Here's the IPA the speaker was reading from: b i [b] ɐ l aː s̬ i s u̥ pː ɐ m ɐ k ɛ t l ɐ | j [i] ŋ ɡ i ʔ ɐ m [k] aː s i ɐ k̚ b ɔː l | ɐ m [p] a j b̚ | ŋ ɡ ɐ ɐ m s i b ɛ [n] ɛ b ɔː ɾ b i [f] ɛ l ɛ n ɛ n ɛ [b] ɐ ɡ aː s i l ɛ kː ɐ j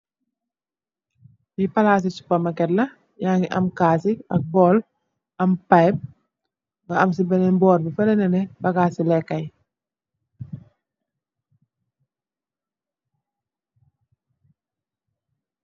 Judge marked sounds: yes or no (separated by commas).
no, no, yes, yes, yes, yes, yes